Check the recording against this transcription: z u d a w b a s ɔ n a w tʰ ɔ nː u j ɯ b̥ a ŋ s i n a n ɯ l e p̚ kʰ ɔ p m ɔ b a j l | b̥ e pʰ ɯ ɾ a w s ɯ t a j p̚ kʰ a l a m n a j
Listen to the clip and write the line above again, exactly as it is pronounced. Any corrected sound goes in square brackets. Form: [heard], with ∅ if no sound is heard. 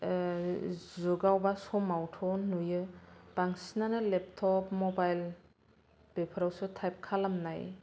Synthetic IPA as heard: z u [ɡ] a w b a s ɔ [m] a w tʰ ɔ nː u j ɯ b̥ a ŋ s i n a n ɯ l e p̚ [tʰ] ɔ p m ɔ b a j l | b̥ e pʰ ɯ ɾ a w s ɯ [tʰ] a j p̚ kʰ a l a m n a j

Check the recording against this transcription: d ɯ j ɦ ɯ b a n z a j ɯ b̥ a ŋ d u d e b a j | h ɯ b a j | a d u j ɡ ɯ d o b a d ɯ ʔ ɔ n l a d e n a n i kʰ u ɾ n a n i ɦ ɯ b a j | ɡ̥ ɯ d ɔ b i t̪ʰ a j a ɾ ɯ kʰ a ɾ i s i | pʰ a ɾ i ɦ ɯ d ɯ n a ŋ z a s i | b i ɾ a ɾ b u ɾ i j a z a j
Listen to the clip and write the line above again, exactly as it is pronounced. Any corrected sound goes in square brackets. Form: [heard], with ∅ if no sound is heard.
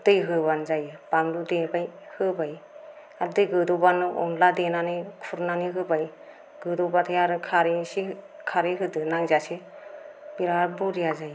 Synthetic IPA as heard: d ɯ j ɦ ɯ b a n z a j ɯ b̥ a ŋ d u d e b a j | h ɯ b a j | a d [ɯ] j ɡ ɯ d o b a [n] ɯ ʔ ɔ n l a d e n a n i kʰ u ɾ n a n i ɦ ɯ b a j | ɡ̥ ɯ d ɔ b [a] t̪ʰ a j a ɾ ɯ kʰ a ɾ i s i | [kʰ] a ɾ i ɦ ɯ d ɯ n a ŋ z a s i | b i ɾ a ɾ b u ɾ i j a z a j

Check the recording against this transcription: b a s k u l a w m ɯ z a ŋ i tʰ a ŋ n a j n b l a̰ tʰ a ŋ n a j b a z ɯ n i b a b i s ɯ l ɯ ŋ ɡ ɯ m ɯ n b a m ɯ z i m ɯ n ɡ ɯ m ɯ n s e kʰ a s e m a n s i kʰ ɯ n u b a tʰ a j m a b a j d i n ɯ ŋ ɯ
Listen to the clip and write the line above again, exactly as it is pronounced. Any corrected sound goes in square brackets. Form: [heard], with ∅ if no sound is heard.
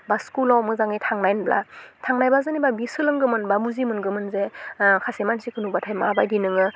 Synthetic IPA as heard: b a s k u l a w m ɯ z a ŋ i tʰ a ŋ n a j n b l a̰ tʰ a ŋ n a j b a z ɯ n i b a b i s ɯ l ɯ ŋ ɡ ɯ m ɯ n b a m [u] z i m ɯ n ɡ ɯ m ɯ n [z] e kʰ a s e m a n s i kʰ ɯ n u b a tʰ a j m a b a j d i n ɯ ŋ ɯ

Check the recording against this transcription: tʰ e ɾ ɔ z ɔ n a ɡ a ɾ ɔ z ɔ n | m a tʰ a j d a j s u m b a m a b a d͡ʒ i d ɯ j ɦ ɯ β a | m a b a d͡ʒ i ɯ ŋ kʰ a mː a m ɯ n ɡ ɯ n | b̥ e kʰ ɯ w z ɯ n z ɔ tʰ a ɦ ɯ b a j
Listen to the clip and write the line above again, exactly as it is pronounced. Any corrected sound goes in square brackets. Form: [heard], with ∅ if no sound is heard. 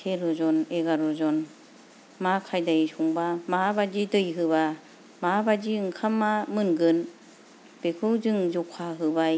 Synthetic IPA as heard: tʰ e ɾ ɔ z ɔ n [e] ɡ a ɾ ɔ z ɔ n | m a [kʰ] a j d a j s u [ŋ] b a m a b a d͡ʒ i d ɯ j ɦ ɯ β a | m a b a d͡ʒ i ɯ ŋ kʰ a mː a m ɯ n ɡ ɯ n | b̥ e kʰ ɯ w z ɯ [ŋ] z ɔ [kʰ] a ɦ ɯ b a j

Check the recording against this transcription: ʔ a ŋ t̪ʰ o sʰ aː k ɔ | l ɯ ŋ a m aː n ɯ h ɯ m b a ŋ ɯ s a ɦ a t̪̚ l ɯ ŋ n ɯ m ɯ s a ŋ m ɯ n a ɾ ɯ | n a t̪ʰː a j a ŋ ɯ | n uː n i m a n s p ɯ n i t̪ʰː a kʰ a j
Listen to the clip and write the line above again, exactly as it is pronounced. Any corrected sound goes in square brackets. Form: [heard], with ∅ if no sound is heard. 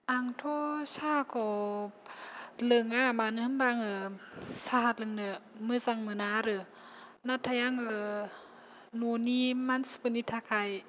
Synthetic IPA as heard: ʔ a ŋ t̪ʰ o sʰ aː k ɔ | l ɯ ŋ a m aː n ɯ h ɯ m b a ŋ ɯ s a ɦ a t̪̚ l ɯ ŋ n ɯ m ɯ s a ŋ m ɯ n a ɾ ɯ | n a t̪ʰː a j a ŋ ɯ | n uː n i m a n s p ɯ n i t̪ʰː a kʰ a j

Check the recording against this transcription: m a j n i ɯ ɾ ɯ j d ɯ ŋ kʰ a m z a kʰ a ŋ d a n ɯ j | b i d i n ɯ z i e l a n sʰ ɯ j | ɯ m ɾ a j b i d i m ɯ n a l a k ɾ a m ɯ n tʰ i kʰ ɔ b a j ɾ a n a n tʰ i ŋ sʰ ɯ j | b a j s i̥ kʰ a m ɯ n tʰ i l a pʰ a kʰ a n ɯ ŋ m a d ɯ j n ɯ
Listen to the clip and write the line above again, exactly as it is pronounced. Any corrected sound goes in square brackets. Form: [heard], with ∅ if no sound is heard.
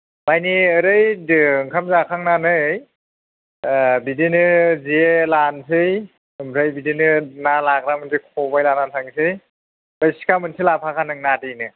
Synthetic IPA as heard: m a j n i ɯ ɾ ɯ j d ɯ ŋ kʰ a m z a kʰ a ŋ [n] a n ɯ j | b i d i n ɯ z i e l a n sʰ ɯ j | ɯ m ɾ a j b i d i [n] ɯ n a l a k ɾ a m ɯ n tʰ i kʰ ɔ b a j [l] a n a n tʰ [a] ŋ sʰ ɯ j | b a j s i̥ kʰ a m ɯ n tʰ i l a pʰ a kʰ a n ɯ ŋ [n] a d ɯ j n ɯ

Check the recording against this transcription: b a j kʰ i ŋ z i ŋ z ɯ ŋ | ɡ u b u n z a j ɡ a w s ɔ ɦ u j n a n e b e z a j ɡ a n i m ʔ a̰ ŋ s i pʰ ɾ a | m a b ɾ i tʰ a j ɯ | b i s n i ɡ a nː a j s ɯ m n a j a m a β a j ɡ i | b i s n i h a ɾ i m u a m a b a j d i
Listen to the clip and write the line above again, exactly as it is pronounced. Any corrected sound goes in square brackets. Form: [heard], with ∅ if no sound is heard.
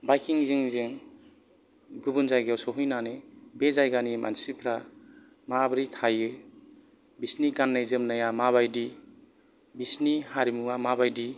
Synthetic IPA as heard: b a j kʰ i ŋ z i ŋ z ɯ ŋ | ɡ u b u n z a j ɡ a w s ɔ ɦ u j n a n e b e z a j ɡ a n i m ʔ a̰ [n] s i pʰ ɾ a | m a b ɾ i tʰ a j ɯ | b i s n i ɡ a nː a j [z] ɯ m n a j a m a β a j [d] i | b i s n i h a ɾ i m u a m a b a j d i

